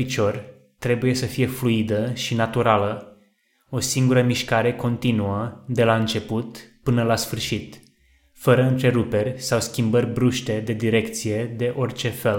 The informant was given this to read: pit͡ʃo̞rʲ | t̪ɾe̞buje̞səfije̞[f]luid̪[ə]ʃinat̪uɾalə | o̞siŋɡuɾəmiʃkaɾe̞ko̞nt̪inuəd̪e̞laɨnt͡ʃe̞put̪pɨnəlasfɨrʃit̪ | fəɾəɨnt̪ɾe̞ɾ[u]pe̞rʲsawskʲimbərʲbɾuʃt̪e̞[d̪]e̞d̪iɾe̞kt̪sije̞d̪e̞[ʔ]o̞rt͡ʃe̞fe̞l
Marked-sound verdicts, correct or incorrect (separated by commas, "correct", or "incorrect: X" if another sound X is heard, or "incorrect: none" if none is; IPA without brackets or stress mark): correct, correct, correct, correct, correct